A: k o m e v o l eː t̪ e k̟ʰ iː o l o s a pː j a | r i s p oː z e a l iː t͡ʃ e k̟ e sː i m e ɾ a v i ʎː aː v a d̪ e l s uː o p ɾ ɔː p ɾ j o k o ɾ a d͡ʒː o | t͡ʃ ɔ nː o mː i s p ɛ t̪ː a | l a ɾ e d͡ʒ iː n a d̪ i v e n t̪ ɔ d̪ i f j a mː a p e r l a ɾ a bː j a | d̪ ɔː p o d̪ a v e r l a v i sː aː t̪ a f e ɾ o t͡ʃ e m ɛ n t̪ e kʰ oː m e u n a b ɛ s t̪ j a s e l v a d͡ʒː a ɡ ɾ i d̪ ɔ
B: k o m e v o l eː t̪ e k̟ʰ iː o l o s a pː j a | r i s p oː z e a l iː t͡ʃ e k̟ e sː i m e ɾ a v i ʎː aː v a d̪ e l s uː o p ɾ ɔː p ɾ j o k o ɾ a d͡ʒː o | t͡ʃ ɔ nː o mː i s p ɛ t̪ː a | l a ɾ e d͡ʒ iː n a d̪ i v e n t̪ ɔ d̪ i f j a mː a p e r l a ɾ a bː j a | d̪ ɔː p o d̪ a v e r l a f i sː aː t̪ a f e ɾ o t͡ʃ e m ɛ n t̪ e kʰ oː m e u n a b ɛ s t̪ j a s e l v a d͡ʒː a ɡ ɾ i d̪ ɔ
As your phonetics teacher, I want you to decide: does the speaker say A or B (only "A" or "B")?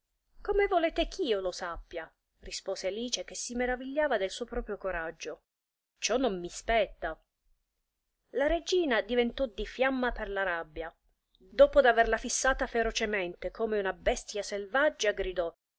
B